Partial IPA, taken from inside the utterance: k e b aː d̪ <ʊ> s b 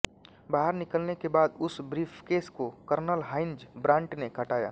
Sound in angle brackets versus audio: correct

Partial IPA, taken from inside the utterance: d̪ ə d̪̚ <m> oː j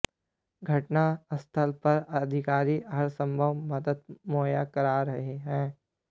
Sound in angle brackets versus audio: correct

